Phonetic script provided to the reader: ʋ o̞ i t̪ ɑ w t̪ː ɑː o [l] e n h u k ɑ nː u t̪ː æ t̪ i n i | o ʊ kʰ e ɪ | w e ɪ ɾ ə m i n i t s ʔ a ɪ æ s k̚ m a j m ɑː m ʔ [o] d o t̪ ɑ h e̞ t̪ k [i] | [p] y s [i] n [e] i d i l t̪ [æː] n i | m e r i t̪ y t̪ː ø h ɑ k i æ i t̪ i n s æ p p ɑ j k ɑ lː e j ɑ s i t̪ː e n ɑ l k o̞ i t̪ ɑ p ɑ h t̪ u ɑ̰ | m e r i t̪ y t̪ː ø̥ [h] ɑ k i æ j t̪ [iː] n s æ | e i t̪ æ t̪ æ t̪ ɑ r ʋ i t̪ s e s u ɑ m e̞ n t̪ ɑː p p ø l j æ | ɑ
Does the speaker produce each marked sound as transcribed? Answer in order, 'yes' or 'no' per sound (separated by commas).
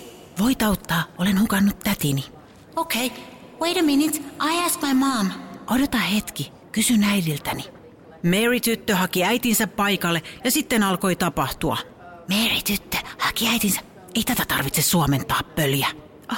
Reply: yes, yes, yes, no, no, no, no, yes, no